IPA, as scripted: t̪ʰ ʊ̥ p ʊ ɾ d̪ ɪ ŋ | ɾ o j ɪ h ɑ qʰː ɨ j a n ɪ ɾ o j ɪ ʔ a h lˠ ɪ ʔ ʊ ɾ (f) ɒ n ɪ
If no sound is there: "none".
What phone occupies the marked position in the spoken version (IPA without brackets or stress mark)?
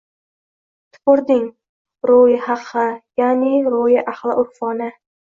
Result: f